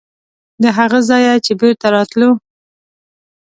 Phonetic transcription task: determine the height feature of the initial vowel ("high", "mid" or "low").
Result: mid